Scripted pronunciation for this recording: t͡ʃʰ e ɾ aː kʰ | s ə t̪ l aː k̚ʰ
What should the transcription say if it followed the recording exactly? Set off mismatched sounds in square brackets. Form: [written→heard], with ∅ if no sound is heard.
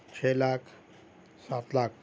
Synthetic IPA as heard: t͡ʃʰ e [ɾ→l] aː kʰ | s [ə→a] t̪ l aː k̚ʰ